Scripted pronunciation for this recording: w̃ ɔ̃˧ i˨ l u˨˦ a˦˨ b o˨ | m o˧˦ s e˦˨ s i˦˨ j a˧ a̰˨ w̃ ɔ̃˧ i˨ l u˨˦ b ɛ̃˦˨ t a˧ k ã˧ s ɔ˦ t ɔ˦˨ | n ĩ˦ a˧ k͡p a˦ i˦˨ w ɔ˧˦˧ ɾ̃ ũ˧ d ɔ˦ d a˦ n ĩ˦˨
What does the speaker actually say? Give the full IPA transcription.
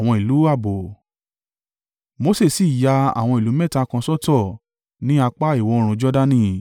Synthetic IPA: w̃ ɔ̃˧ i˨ l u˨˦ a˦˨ b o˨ | m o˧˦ s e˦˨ s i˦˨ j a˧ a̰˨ w̃ ɔ̃˧ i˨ l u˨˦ m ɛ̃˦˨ t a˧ k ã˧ s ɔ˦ t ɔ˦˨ | n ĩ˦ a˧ k͡p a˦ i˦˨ w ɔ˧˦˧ ɾ̃ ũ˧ d͡ʒ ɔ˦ d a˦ n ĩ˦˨